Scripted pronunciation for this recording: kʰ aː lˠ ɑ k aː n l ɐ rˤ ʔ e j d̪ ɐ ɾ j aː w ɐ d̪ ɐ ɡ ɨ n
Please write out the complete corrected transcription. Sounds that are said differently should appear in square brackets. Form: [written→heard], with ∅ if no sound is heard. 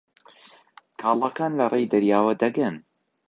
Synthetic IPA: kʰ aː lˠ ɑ k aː n l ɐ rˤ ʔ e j d̪ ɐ ɾ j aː w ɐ d̪ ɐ ɡ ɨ n